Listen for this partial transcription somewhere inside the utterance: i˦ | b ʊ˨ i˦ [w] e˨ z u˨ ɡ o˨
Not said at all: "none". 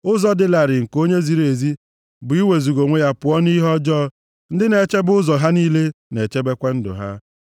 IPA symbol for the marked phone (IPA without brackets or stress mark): w